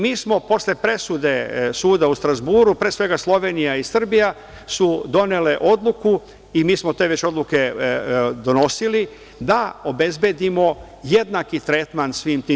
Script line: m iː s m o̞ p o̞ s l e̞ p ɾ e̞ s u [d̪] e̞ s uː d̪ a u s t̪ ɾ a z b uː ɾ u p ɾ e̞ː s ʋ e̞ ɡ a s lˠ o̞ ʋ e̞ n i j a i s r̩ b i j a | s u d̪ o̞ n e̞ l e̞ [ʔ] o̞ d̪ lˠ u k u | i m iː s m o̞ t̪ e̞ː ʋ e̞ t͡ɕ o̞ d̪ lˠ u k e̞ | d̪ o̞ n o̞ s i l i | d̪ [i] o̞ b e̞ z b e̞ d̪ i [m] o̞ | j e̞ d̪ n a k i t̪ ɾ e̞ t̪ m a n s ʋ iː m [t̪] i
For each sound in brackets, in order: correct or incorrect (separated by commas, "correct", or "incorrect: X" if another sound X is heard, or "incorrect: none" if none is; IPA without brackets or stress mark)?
correct, correct, incorrect: a, correct, correct